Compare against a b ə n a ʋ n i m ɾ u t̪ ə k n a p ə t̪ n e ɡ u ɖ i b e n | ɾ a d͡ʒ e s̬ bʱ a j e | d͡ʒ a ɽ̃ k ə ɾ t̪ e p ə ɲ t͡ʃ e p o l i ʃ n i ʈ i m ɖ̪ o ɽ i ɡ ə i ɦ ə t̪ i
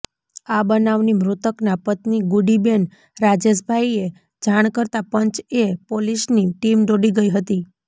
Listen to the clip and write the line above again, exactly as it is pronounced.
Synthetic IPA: a b ə n a ʋ n i m ɾ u t̪ ə k n a p ə t̪ n i ɡ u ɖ i b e n | ɾ a d͡ʒ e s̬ bʱ a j e | d͡ʒ a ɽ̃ k ə ɾ t̪ a p ə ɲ t͡ʃ e p o l i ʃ n i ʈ i m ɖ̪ o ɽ i ɡ ə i ɦ ə t̪ i